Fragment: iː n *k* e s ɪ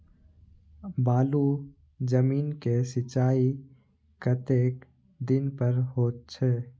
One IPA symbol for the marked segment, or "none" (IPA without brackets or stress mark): k